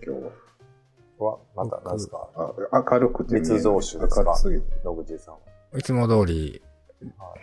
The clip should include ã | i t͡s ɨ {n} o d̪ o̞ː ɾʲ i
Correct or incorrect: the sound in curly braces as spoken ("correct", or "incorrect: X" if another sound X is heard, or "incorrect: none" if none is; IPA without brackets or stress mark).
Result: incorrect: m